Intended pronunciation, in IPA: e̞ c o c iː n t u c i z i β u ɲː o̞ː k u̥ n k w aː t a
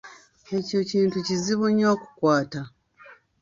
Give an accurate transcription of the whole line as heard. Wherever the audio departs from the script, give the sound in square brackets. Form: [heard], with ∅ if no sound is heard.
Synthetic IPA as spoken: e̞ c o c iː n t u c i z i β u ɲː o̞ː k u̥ [∅] k w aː t a